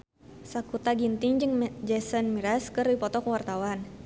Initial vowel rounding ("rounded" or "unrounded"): unrounded